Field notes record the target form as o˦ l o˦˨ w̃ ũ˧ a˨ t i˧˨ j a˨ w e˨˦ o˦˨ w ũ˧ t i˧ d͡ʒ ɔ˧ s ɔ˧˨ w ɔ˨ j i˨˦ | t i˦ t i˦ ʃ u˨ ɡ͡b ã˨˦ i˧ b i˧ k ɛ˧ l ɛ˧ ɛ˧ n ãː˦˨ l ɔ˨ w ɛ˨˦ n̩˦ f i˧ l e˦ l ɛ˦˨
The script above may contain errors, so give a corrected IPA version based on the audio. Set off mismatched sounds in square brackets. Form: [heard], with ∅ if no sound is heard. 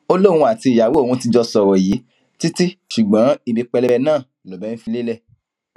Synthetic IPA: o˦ l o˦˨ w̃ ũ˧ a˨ t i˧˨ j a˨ w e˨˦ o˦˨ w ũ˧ t i˧ d͡ʒ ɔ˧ s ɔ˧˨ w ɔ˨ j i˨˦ | t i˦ t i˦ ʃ u˨ ɡ͡b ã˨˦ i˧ b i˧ [k͡p] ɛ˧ l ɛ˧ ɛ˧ n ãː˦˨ l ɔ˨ [b] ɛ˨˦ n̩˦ f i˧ l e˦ l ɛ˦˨